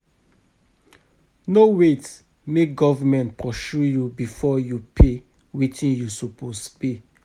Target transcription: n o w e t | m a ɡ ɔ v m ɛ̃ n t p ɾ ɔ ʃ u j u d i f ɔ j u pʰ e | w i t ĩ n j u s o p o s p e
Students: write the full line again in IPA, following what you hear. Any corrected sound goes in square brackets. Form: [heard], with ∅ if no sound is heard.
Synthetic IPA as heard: n o w e t | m [e] ɡ ɔ v m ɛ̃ n t p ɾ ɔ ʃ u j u [b] i f ɔ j u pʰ e | w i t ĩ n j u s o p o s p e